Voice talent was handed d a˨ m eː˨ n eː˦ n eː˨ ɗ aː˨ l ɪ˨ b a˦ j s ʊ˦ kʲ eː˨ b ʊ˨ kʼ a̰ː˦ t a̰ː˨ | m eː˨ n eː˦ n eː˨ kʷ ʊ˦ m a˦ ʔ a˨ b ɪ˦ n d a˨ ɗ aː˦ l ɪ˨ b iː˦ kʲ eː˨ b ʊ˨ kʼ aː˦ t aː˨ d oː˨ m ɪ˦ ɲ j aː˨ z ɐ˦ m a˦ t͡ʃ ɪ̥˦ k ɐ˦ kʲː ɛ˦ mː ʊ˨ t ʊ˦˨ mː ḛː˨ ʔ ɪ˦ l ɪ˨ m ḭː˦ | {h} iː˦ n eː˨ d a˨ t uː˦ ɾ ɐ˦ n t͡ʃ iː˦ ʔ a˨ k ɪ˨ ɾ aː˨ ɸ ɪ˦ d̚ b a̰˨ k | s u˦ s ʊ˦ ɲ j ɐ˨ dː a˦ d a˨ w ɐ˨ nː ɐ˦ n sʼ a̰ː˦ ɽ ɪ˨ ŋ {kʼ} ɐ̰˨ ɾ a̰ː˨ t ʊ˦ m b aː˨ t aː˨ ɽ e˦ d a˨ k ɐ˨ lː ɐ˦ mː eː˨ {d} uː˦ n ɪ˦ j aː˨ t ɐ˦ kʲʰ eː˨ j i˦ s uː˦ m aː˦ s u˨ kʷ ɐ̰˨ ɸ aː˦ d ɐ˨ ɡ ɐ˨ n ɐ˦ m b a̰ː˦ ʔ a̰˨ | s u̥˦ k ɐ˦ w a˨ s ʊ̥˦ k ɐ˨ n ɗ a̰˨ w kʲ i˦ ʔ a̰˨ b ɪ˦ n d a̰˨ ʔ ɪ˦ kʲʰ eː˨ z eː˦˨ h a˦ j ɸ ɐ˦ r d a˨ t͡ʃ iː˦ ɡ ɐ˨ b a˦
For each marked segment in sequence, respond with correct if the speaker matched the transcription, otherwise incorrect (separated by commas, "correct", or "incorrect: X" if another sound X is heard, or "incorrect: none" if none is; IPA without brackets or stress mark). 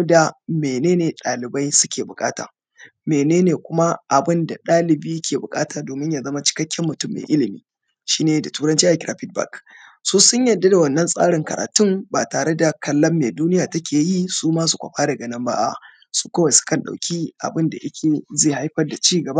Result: incorrect: ʃ, incorrect: k, correct